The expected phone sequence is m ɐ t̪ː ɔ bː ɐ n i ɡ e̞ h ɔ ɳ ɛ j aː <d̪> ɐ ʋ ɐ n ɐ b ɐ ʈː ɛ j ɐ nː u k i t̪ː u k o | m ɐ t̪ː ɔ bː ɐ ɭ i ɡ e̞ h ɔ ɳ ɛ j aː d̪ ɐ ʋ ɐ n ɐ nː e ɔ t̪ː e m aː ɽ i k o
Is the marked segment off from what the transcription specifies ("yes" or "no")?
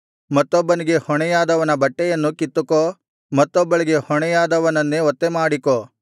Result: no